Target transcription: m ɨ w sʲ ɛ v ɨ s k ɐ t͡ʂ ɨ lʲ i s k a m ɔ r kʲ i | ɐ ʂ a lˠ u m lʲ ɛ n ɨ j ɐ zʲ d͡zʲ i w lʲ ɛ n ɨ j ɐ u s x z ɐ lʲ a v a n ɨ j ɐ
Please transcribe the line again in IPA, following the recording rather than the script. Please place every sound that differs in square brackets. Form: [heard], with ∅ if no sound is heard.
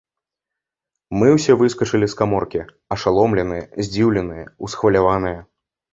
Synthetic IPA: m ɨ w sʲ ɛ v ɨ s k ɐ t͡ʂ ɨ lʲ i s k a m ɔ r kʲ i | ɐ ʂ a lˠ [ɔ] m lʲ ɛ n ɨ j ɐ zʲ d͡zʲ i w lʲ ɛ n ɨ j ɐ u s x [v] ɐ lʲ a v a n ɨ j ɐ